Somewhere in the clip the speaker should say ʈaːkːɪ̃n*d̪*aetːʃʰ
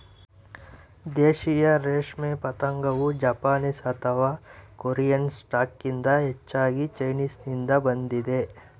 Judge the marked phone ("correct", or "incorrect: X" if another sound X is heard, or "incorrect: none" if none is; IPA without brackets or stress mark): correct